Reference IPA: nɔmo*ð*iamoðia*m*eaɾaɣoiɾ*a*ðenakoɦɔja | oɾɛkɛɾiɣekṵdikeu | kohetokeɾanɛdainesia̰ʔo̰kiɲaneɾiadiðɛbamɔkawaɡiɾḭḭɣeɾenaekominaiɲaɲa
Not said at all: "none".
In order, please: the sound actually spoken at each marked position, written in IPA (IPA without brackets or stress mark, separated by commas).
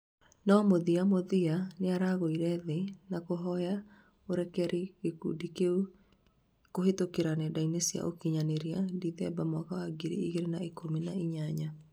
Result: ð, n, ɛ